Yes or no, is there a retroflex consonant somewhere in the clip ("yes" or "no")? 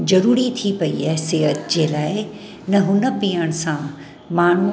yes